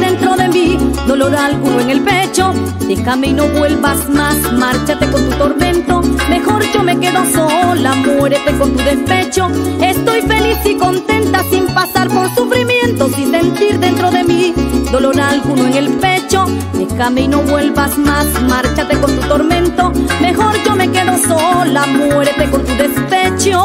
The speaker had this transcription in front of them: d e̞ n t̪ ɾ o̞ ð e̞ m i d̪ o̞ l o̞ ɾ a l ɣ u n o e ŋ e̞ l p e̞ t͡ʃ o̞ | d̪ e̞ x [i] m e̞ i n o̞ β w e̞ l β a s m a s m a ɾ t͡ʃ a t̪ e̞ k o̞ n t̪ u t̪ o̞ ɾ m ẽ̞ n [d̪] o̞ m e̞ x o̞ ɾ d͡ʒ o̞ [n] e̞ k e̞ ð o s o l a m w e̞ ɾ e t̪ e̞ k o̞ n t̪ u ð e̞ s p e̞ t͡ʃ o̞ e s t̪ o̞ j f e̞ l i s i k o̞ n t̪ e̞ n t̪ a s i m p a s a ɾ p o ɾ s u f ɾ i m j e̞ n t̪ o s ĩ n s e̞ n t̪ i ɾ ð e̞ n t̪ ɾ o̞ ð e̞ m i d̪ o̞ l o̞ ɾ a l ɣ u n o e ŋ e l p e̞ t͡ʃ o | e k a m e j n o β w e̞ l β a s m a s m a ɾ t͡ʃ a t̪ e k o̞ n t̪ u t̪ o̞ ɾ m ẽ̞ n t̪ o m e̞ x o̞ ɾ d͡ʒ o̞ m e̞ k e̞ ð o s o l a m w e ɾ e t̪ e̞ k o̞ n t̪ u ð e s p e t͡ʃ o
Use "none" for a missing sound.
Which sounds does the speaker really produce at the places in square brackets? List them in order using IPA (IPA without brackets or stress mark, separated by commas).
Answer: a, t̪, m